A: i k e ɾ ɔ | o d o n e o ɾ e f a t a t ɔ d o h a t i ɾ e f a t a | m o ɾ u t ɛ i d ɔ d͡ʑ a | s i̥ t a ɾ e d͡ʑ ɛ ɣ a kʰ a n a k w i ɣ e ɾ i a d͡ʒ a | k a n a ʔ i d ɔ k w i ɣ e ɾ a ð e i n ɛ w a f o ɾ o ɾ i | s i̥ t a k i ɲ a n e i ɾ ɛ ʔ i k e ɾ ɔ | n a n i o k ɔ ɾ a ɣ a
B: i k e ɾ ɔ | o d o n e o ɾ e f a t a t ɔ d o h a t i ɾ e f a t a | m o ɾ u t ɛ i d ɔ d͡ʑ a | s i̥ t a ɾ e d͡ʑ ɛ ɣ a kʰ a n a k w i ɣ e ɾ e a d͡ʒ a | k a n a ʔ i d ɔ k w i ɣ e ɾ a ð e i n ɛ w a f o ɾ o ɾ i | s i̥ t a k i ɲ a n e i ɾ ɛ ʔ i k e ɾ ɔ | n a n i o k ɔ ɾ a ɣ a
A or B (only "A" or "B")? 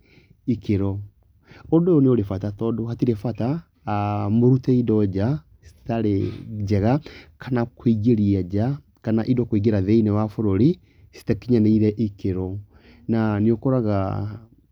A